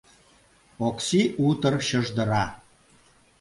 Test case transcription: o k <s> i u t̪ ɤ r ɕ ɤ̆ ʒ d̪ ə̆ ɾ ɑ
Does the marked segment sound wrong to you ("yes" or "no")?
no